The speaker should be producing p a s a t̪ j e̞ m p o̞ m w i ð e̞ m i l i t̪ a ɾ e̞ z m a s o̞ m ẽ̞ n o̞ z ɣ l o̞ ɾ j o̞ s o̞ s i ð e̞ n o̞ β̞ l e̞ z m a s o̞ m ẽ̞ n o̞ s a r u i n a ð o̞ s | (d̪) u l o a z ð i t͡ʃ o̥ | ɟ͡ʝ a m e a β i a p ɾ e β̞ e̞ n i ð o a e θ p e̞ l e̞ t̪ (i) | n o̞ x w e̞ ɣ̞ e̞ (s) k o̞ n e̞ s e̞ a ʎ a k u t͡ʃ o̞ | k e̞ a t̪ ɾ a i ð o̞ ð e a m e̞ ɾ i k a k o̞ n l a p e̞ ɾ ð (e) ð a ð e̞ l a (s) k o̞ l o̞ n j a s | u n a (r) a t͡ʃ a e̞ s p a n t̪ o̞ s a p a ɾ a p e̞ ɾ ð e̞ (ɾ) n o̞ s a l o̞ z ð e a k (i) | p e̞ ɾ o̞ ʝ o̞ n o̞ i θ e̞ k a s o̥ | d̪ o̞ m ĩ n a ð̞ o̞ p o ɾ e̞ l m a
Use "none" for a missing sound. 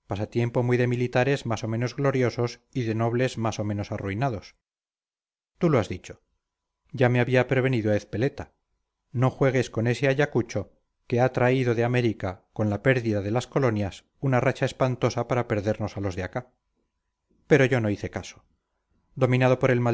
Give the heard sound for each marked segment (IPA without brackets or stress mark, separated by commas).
t̪, a, s, i, s, r, ɾ, a